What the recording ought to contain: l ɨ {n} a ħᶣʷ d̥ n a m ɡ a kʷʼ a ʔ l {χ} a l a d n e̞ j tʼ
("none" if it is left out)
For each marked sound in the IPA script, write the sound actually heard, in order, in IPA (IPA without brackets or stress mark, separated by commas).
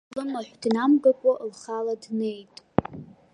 m, χ